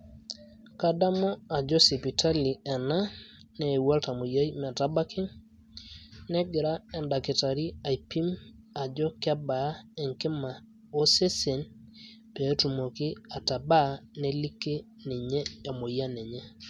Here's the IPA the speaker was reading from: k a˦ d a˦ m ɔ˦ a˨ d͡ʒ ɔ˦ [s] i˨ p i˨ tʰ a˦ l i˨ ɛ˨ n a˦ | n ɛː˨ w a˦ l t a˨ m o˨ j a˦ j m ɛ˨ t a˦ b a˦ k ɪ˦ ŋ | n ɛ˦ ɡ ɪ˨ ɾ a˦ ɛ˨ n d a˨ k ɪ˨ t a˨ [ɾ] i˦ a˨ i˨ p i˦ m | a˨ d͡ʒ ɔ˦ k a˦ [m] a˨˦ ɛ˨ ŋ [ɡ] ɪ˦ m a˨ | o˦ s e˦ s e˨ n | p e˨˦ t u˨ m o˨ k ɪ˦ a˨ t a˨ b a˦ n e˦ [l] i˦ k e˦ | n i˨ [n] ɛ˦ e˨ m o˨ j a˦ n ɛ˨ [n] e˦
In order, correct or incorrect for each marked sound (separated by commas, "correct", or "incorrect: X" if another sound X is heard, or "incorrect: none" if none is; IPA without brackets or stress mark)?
correct, correct, incorrect: b, incorrect: k, correct, incorrect: ɲ, incorrect: ɲ